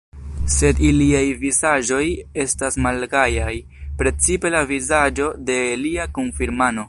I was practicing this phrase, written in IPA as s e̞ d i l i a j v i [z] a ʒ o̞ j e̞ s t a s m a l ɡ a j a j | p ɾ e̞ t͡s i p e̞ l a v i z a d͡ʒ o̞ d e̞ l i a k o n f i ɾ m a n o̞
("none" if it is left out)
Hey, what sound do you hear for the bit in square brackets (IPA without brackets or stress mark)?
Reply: z